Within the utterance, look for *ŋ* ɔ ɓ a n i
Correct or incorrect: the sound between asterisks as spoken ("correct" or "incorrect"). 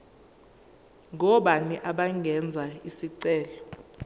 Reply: correct